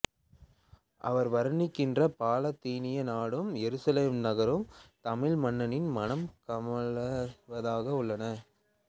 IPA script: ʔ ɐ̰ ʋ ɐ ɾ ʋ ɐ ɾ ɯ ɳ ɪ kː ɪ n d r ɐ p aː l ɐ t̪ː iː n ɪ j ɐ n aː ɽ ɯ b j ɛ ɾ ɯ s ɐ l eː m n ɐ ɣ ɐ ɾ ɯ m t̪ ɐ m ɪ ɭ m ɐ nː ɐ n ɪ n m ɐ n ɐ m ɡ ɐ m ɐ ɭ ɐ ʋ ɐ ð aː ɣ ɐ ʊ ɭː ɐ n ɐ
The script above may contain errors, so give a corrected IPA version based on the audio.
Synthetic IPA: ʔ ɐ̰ ʋ ɐ ɾ ʋ ɐ ɾ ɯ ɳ ɪ kː ɪ n d r ɐ p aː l ɐ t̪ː iː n ɪ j ɐ n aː ɽ ɯ m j ɛ ɾ ɯ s ɐ l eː m n ɐ ɣ ɐ ɾ ɯ m t̪ ɐ m ɪ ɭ m ɐ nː ɐ n ɪ n m ɐ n ɐ m k ɐ m ɐ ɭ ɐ ʋ ɐ ð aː ɣ ɐ ʊ ɭː ɐ n ɐ